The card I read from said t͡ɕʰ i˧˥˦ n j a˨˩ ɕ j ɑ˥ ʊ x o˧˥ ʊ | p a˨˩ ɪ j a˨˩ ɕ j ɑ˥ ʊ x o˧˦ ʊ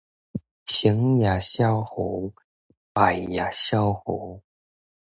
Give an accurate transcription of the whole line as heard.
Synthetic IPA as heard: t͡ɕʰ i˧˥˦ ŋ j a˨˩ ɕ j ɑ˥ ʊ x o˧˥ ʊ | p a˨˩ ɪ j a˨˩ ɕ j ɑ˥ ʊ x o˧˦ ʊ